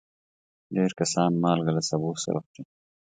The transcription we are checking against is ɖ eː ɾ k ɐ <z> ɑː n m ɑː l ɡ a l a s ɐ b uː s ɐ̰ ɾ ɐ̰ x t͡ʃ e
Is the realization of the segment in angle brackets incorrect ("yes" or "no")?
yes